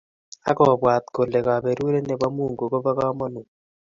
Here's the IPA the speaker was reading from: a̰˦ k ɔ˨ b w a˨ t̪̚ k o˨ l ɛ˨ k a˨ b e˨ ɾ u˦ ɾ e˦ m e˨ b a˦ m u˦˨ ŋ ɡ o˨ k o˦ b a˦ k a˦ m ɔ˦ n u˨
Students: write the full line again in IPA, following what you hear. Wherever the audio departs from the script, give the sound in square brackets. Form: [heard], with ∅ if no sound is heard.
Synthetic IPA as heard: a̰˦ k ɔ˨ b w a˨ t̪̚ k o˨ l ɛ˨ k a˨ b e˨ ɾ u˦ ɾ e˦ [n] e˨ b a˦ m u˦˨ ŋ ɡ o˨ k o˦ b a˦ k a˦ m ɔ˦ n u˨

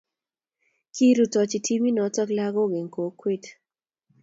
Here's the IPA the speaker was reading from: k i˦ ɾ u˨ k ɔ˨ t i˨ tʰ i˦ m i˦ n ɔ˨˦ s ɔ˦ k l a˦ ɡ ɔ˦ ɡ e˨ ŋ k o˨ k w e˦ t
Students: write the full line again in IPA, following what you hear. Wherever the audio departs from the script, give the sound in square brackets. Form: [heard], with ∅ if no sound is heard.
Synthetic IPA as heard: k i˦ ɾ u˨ [t] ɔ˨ [t͡ʃ] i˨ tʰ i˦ m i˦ n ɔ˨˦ [t] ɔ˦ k l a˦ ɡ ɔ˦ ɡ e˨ ŋ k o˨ k w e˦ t

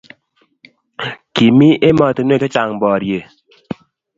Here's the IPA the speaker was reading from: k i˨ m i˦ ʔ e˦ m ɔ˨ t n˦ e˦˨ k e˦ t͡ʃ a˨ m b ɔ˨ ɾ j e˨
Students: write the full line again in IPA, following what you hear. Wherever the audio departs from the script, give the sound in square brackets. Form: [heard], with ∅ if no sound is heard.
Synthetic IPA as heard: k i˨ m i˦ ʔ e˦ m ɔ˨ t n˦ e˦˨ k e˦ t͡ʃ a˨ [ŋ] b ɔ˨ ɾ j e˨

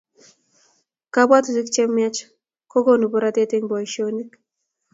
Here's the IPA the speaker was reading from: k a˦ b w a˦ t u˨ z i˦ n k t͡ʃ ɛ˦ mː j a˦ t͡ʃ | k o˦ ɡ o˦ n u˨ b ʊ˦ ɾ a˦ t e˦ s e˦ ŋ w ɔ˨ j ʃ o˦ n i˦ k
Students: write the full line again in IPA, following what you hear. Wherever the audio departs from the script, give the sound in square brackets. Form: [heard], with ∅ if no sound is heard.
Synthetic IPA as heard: k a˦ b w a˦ t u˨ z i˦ [∅] k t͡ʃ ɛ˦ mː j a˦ t͡ʃ | k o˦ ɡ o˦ n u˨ b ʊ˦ ɾ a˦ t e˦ [t] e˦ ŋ [b] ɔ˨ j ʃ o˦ n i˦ k

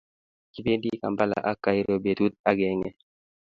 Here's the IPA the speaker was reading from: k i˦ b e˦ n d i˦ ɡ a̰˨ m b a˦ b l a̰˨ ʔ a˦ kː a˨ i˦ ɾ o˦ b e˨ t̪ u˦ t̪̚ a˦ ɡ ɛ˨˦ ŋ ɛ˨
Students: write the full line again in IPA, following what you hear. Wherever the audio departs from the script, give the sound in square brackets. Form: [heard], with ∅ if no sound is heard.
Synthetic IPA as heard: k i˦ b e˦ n d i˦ [k] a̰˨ m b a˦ [∅] l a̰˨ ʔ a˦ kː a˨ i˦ ɾ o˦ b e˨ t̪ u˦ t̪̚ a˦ ɡ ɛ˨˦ ŋ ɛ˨

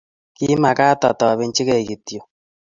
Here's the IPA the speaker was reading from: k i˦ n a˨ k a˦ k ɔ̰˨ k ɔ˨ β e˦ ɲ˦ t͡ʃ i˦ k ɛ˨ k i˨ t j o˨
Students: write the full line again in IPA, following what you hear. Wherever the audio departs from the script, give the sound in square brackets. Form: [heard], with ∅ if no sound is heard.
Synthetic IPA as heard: k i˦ [m] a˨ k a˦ [t] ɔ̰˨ [t] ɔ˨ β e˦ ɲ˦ t͡ʃ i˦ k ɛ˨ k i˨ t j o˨

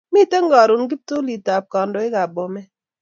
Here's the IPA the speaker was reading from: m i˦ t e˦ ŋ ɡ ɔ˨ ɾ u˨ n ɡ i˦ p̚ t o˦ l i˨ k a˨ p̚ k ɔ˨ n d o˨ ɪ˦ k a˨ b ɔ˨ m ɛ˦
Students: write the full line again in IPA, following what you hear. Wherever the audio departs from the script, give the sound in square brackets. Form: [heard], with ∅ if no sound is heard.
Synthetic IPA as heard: m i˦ t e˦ ŋ ɡ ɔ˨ ɾ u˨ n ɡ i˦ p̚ t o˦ l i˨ [t] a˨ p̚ k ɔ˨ n d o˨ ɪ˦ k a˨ b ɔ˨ m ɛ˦

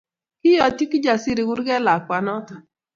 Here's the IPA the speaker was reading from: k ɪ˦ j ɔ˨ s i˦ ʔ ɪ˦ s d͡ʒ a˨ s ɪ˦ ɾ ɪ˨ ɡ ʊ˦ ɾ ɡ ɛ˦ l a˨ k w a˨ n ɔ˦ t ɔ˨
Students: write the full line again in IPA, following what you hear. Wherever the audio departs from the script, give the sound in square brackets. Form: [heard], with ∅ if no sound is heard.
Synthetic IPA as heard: k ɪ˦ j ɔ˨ [t] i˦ [k] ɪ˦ [∅] d͡ʒ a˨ s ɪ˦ ɾ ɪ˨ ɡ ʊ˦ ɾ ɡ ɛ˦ l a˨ k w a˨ n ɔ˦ t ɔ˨

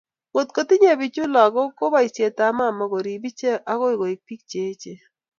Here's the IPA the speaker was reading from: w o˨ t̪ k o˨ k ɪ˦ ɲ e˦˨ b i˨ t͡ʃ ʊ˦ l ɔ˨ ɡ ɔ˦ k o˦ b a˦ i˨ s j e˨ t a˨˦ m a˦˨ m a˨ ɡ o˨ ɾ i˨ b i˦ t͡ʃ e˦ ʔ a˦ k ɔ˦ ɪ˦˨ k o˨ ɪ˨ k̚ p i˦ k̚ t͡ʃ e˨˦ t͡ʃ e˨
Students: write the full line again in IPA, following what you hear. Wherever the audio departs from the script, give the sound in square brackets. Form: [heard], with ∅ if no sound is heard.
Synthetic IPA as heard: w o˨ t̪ k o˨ [t] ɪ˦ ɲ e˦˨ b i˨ t͡ʃ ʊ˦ l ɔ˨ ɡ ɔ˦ k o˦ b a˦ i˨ s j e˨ t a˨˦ m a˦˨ m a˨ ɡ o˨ ɾ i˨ b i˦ t͡ʃ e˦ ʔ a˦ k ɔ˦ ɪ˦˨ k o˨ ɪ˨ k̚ p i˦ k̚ t͡ʃ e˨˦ t͡ʃ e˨

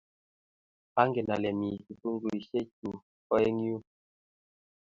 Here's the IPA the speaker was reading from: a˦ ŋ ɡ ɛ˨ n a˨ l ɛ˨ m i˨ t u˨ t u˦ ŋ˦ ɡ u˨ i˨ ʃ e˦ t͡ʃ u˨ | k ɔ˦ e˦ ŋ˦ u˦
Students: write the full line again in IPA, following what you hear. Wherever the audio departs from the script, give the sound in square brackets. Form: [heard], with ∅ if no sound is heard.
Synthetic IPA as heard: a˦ ŋ ɡ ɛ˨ n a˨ l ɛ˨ m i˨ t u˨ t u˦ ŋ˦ ɡ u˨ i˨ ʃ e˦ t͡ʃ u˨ | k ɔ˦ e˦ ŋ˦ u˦

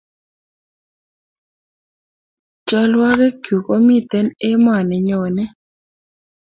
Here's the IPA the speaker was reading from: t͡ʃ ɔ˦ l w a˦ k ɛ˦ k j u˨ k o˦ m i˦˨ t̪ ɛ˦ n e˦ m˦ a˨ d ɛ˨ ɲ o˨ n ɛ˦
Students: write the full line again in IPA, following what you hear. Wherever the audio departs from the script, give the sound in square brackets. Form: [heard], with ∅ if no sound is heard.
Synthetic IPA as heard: t͡ʃ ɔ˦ l w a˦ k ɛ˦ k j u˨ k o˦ m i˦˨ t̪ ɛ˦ n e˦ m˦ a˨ [n] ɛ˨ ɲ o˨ n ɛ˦

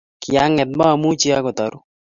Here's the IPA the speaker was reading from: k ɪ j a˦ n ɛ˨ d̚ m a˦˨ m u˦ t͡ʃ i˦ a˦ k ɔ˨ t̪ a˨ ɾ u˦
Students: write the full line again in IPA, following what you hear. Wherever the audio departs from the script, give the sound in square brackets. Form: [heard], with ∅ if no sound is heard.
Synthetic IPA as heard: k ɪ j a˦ [ŋ] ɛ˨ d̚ m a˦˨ m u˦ t͡ʃ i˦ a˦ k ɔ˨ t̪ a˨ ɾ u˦

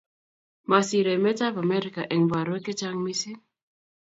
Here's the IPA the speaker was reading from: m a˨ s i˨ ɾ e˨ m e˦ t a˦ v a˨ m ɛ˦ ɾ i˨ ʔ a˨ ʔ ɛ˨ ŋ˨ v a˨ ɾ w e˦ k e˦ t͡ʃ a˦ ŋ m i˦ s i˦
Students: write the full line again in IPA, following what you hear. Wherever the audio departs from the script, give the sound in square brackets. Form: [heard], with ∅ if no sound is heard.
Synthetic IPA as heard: m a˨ s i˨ ɾ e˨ m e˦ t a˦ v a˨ m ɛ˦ ɾ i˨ [k] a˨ ʔ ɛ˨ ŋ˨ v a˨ ɾ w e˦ k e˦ t͡ʃ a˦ ŋ m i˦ s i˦

